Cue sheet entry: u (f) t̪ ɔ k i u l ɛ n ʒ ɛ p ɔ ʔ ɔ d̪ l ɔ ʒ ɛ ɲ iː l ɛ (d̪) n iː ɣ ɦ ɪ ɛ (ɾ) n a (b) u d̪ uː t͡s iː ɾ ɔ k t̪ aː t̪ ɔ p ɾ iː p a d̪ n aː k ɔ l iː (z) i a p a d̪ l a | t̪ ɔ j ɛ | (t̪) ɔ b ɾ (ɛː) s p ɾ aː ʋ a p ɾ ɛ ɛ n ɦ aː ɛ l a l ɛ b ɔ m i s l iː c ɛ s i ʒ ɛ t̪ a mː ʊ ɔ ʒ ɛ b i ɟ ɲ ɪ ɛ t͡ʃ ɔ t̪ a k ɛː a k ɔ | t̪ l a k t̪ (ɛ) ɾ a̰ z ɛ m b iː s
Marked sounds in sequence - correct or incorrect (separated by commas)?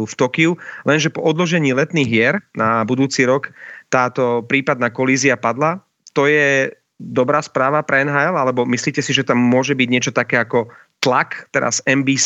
correct, incorrect, correct, correct, correct, incorrect, incorrect, correct